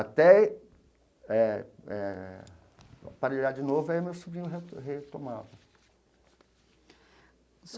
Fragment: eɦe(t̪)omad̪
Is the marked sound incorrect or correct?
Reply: correct